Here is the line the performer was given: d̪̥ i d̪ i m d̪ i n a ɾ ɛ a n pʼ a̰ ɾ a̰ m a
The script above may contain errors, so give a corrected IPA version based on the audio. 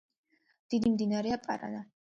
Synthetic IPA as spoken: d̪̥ i d̪ i m d̪ i n a ɾ ɛ a pʼ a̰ ɾ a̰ n a